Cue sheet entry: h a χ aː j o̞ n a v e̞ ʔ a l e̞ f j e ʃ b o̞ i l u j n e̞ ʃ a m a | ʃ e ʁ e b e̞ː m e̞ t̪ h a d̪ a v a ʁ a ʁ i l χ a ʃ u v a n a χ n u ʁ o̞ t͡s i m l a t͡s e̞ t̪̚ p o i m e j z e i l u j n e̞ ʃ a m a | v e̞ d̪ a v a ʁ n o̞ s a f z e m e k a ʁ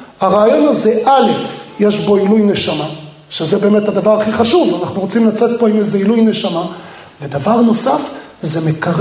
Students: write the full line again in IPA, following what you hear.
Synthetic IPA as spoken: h a ʁ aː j o̞ n a z e̞ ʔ a l e̞ f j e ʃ b o̞ i l u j n e̞ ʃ a m a | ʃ e z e b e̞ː m e̞ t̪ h a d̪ a v a ʁ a χ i χ a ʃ u v a n a χ n u ʁ o̞ t͡s i m l a t͡s e̞ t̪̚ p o i m e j z e i l u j n e̞ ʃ a m a | v e̞ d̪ a v a ʁ n o̞ s a f z e m e k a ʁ